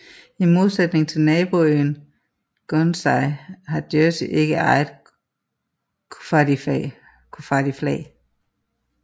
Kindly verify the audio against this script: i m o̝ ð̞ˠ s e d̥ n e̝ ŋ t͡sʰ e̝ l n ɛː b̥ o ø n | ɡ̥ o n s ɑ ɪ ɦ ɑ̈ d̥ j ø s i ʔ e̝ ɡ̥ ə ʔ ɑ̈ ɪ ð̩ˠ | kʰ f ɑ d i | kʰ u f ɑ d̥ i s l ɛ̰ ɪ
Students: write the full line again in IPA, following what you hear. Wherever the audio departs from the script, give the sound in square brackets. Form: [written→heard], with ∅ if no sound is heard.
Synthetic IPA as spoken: i m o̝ ð̞ˠ s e d̥ n e̝ ŋ t͡sʰ e̝ l n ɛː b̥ o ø n | ɡ̥ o n s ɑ ɪ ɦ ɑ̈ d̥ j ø s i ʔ e̝ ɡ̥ ə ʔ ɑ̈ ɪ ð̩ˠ | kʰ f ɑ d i | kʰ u f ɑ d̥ i [s→f] l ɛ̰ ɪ